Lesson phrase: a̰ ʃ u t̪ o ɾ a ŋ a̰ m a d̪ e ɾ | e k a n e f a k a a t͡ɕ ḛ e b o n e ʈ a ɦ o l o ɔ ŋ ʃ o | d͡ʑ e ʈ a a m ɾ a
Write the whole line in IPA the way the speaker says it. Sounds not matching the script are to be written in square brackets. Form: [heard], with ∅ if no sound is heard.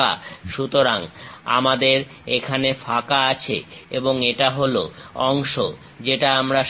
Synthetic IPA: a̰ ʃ u t̪ o ɾ a ŋ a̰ m a d̪ e ɾ | e [kʰ] a n e f a k a a [t͡ɕʰ] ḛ e b o [ŋ] e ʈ a ɦ o l o ɔ ŋ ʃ o | d͡ʑ e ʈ a a m ɾ a